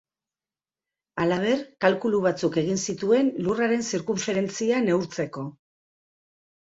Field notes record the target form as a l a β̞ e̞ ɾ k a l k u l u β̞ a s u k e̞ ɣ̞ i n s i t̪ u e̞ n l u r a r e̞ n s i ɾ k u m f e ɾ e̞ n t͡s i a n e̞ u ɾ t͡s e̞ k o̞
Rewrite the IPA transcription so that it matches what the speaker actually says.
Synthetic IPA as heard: a l a β̞ e̞ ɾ k a l k u l u β̞ a t͡s u k e̞ ɣ̞ i n s i t̪ u e̞ n l u r a ɾ e̞ n s i ɾ k u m f e ɾ e̞ n t͡s i a n e̞ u ɾ t͡s e̞ k o̞